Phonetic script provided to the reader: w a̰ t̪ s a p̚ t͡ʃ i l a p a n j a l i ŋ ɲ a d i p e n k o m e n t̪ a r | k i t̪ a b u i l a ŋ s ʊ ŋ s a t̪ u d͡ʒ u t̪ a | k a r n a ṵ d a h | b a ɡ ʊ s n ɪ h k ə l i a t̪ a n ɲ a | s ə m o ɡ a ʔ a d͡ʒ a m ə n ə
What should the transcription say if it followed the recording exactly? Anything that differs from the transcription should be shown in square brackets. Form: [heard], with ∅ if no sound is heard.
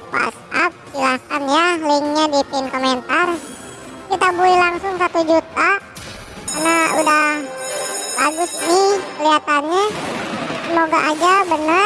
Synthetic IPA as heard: w a̰ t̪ s a p̚ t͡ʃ i l a [k] a n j a l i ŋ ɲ a d i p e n k o m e n t̪ a r | k i t̪ a b u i l a ŋ s ʊ ŋ s a t̪ u d͡ʒ u t̪ a | k a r n a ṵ d a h | b a ɡ ʊ s n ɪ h k ə l i a t̪ a n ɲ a | s ə m o ɡ a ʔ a d͡ʒ a [b] ə n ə